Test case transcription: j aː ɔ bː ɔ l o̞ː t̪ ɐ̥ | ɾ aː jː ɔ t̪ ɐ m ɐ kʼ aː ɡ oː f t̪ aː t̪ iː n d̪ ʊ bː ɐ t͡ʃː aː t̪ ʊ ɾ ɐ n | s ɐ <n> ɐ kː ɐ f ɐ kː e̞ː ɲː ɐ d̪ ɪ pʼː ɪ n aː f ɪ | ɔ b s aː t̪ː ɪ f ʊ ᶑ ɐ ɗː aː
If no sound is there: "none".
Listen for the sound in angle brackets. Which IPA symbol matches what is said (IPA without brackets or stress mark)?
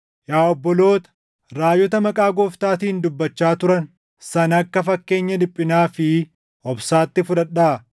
n